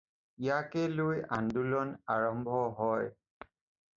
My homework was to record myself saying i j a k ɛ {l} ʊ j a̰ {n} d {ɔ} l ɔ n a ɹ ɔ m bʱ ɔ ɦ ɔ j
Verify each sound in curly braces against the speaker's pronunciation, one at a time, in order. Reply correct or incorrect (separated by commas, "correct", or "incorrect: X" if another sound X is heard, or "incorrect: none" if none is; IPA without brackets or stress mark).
correct, correct, incorrect: u